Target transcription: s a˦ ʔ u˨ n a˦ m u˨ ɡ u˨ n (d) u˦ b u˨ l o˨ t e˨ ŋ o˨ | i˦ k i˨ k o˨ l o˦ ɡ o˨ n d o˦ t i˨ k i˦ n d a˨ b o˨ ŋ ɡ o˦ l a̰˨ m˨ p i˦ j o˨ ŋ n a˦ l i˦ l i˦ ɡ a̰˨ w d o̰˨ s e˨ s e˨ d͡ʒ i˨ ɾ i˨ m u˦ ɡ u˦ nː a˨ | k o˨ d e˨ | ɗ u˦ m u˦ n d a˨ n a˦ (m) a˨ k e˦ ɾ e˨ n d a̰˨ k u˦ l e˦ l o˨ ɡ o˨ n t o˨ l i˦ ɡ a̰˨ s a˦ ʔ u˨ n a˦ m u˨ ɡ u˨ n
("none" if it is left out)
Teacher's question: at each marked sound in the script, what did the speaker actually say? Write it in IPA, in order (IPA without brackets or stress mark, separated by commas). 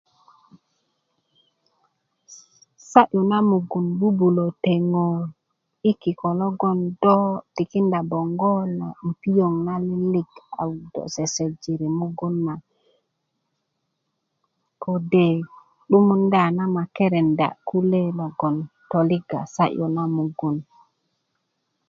b, m